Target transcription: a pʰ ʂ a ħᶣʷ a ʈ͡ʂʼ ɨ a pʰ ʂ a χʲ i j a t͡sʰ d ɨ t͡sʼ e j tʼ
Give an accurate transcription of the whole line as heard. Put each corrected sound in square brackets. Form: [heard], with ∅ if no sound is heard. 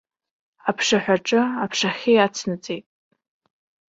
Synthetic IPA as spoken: a pʰ ʂ a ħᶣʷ a ʈ͡ʂʼ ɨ a pʰ ʂ a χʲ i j a t͡sʰ [n] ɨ t͡sʼ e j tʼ